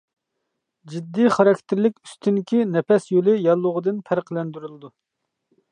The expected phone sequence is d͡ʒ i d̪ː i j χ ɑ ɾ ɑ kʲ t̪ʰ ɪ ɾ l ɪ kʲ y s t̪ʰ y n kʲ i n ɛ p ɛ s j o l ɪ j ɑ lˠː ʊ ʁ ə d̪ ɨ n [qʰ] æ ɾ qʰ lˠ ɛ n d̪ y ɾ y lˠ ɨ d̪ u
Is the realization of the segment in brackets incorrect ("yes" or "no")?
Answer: yes